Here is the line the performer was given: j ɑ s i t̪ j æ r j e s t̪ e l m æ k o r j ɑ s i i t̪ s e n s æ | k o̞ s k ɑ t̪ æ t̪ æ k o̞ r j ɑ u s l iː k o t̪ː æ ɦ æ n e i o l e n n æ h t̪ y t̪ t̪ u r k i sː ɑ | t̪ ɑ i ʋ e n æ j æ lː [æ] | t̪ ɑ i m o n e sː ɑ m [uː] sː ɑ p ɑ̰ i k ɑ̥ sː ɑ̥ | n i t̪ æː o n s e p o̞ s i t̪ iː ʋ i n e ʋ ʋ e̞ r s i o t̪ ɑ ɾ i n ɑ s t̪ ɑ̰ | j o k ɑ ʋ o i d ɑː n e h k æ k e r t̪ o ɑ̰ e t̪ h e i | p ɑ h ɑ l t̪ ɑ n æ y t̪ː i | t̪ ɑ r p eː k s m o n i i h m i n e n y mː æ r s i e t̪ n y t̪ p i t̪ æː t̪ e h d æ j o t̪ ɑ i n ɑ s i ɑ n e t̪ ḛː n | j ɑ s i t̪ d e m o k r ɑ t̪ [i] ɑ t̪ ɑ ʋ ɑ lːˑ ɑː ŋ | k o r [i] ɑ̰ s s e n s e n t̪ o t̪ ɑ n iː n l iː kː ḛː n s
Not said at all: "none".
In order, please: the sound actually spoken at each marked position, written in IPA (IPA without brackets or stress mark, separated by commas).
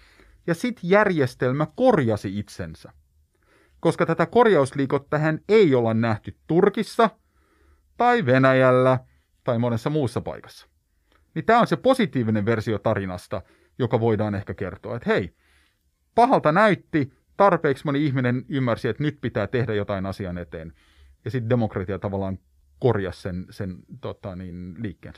æ, uː, i, j